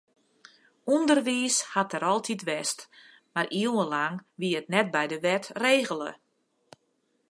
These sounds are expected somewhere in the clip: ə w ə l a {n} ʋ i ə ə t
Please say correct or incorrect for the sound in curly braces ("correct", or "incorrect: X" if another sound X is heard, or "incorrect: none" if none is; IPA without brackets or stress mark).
incorrect: ŋ